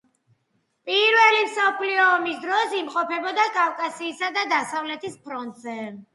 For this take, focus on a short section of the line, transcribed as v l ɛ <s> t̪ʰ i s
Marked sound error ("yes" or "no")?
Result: yes